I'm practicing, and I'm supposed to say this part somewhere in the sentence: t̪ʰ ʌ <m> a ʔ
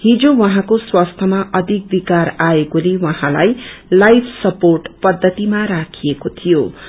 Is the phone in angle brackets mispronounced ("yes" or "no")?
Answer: no